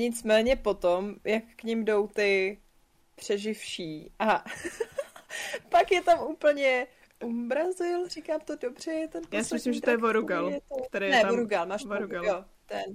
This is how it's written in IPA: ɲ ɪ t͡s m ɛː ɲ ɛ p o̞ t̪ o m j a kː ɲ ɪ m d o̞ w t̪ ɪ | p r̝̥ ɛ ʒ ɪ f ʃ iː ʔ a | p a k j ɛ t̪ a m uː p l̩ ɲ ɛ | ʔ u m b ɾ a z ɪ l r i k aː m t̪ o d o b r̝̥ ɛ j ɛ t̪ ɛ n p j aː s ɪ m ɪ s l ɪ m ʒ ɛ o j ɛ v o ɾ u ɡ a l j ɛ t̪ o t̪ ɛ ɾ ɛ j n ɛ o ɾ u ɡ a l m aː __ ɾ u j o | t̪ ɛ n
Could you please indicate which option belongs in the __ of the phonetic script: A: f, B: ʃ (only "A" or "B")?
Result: B